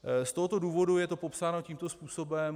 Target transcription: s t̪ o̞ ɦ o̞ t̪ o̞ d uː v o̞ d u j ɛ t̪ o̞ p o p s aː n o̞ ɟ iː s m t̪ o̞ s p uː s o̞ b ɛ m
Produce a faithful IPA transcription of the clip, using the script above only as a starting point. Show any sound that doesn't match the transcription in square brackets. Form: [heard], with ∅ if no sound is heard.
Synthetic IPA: s t̪ o̞ ɦ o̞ t̪ o̞ d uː v o̞ d u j ɛ t̪ o̞ p o p s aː n o̞ [c] iː [∅] m t̪ o̞ s p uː s o̞ b ɛ m